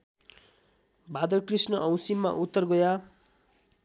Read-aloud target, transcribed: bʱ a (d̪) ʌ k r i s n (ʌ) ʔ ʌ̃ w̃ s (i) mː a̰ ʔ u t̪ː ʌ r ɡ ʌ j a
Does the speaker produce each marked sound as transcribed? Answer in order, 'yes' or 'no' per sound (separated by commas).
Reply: yes, yes, yes